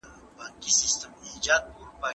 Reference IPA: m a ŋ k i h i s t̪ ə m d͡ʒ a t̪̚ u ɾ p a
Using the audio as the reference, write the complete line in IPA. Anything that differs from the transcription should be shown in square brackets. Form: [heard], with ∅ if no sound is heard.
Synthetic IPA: [b] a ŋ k i [s] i s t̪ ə m d͡ʒ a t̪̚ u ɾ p a